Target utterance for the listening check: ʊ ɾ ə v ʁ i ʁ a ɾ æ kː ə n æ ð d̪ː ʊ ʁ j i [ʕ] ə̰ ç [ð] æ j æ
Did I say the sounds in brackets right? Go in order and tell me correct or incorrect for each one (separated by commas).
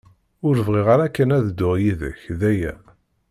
incorrect, correct